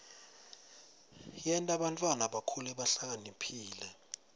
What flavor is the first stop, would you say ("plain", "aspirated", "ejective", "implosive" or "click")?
ejective